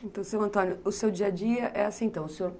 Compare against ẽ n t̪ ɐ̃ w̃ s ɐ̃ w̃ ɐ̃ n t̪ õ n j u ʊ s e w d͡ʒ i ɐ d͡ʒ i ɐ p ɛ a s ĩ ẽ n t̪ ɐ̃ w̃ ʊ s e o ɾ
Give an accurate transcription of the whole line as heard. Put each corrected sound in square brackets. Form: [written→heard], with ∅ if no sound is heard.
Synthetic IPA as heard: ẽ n t̪ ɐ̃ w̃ s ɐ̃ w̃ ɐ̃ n t̪ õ n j [u→ʊ] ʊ s e w d͡ʒ i ɐ d͡ʒ i ɐ [p→ʔ] ɛ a s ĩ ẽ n t̪ ɐ̃ w̃ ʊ s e o ɾ